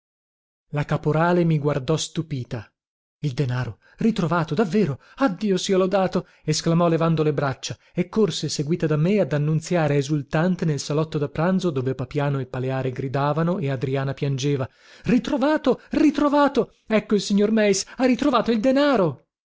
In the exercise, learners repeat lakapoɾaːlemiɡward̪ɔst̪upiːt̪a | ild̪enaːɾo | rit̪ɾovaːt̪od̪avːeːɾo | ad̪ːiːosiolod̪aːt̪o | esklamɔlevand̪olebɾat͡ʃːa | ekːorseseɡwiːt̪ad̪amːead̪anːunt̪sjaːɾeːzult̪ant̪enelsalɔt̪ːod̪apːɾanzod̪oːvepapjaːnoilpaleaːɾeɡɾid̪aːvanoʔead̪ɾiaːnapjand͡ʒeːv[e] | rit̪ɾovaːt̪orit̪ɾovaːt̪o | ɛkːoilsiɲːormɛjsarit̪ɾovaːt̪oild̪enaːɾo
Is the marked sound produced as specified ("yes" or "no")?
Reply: no